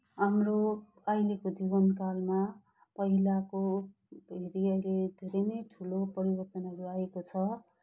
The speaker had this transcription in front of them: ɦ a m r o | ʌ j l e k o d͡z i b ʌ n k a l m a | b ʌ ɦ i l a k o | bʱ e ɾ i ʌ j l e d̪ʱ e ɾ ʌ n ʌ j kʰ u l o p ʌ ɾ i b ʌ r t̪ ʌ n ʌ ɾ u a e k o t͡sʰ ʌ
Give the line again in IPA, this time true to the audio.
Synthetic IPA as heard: ɦ a m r o | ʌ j l e k o d͡z i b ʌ n k a l m a | p ʌ ɦ i l a k o | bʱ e ɾ i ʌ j l e d̪ʱ e ɾ ʌ n ʌ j ʈʰ u l o p ʌ ɾ i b ʌ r t̪ ʌ n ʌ ɾ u a e k o t͡sʰ ʌ

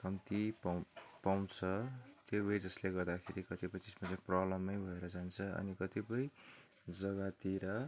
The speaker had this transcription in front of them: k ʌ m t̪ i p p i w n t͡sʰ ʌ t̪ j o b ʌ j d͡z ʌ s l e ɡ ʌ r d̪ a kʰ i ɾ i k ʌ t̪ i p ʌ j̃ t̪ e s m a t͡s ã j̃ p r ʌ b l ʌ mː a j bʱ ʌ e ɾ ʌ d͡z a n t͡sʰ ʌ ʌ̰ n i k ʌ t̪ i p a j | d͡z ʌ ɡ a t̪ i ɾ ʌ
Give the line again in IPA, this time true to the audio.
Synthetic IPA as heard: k ʌ m t̪ i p p a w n t͡sʰ ʌ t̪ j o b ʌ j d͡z ʌ s l e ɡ ʌ r d̪ a kʰ e ɾ i k ʌ t̪ i p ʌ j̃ t̪ e s m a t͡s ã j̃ p r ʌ b l ʌ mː ʌ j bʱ ʌ e ɾ ʌ d͡z a n t͡sʰ ʌ ʌ̰ n i k ʌ t̪ i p ʌ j | d͡z ʌ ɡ a t̪ i ɾ ʌ

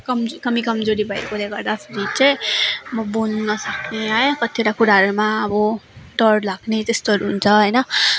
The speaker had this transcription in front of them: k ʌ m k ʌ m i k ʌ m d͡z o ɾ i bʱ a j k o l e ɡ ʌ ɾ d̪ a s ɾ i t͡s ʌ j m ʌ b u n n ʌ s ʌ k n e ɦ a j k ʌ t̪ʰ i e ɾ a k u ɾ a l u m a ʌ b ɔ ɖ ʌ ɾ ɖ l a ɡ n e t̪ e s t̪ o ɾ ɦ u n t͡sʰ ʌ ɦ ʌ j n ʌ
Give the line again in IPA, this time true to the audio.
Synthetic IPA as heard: k ʌ m k ʌ m i k ʌ m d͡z o ɾ i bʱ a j k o l e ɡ ʌ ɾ d̪ a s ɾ i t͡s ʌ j m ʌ b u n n ʌ s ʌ k n e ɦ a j k ʌ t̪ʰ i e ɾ a k u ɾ a ɾ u m a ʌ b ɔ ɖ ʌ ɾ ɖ l a ɡ n e t̪ e s t̪ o ɾ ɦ u n t͡sʰ ʌ ɦ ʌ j n ʌ

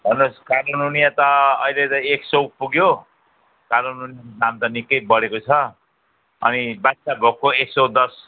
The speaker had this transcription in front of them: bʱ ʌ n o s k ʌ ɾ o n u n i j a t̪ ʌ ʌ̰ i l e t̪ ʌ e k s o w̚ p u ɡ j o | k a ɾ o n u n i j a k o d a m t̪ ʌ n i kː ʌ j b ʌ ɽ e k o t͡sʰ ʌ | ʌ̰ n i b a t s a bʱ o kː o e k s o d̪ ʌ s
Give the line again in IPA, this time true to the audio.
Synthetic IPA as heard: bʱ ʌ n o s k a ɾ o n u n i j a t̪ ʌ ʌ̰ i l e t̪ ʌ e k s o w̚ p u ɡ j o | k a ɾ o n u n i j a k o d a m t̪ ʌ n i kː ʌ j b ʌ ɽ e k o t͡sʰ ʌ | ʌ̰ n i b a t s a bʱ o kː o e k s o d̪ ʌ s

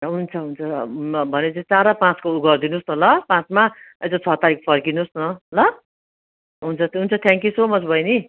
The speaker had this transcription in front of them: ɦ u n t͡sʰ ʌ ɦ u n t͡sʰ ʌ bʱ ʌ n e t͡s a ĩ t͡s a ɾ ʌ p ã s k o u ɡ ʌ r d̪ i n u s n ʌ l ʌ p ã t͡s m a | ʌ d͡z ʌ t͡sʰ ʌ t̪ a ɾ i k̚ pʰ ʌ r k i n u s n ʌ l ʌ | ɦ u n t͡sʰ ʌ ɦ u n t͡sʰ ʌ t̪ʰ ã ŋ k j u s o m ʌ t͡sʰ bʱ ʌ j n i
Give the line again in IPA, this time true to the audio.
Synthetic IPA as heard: ɦ u n t͡sʰ ʌ ɦ u n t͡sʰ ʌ bʱ ʌ n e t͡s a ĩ t͡s a ɾ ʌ p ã t͡s k o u ɡ ʌ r d̪ i n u s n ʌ l ʌ p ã t͡s m a | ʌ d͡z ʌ t͡sʰ ʌ t̪ a ɾ i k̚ pʰ ʌ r k i n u s n ʌ l ʌ | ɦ u n t͡sʰ ʌ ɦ u n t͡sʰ ʌ t̪ʰ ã ŋ k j u s o m ʌ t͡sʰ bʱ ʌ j n i

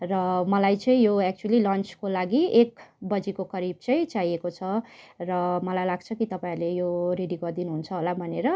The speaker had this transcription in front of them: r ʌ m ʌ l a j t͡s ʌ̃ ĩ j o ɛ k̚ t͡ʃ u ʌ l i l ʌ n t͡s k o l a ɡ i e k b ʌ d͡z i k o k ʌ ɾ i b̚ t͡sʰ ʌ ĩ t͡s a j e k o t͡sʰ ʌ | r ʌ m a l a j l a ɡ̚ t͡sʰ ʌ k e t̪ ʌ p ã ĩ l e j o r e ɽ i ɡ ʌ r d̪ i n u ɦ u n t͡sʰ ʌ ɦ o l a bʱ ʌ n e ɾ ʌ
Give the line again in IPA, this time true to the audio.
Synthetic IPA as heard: r ʌ m ʌ l a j t͡s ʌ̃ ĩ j o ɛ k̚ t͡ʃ u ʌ l i l ʌ n t͡s k o l a ɡ i e k b ʌ d͡z i k o k ʌ ɾ i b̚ t͡s ʌ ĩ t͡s a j e k o t͡sʰ ʌ | r ʌ m ʌ l a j l a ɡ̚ t͡sʰ ʌ k i t̪ ʌ p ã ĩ l e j o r e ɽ i ɡ ʌ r d̪ i n u ɦ u n t͡sʰ ʌ ɦ o l a bʱ ʌ n e ɾ ʌ

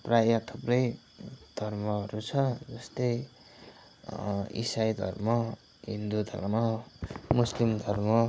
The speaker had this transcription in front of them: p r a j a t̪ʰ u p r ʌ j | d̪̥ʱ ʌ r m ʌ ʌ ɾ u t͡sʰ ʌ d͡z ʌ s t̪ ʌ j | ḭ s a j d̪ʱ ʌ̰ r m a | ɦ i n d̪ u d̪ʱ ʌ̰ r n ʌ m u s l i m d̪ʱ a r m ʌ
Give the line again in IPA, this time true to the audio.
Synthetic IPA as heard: p r a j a t̪ʰ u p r ʌ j | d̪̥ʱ ʌ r m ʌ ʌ ɾ u t͡sʰ ʌ d͡z ʌ s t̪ ʌ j | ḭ s a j d̪ʱ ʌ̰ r m ʌ | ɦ i n d̪ u d̪ʱ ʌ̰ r m ʌ m u s l i m d̪ʱ ʌ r m ʌ

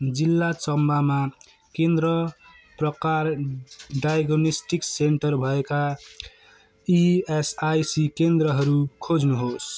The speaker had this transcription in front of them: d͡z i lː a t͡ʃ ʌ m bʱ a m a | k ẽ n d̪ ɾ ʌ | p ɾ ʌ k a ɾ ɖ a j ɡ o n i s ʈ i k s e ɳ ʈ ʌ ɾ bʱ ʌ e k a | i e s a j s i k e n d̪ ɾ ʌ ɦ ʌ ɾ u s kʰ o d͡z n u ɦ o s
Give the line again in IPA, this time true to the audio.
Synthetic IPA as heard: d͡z i lː a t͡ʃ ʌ m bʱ a m a | k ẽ n d̪ ɾ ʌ | p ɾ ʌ k a ɾ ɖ a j ɡ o n i s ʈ i k s e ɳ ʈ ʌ ɾ bʱ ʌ e k a | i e s a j s i k e n d̪ ɾ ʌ ɦ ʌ ɾ u kʰ o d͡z n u ɦ o s

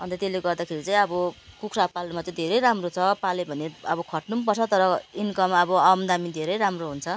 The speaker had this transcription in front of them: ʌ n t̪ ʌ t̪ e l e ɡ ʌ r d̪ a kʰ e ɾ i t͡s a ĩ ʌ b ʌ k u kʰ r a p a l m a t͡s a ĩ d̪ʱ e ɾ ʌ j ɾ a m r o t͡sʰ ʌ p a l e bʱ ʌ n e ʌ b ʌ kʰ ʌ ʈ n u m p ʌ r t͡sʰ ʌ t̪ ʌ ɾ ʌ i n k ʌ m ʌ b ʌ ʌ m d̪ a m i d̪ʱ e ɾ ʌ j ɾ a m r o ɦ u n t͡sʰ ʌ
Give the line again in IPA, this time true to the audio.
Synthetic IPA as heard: ʌ n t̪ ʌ t̪ e l e ɡ ʌ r d̪ a kʰ e ɾ i t͡s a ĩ ʌ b ʌ k u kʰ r a p a l m a t͡s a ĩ d̪ʱ e ɾ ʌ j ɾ a m r o t͡sʰ ʌ p a l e bʱ ʌ n e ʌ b ʌ kʰ ʌ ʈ n u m p ʌ r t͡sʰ ʌ t̪ ʌ ɾ ʌ i n k ʌ m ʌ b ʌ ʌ m d̪ a m i d̪ʱ e ɾ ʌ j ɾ a m r o ɦ u n t͡sʰ ʌ

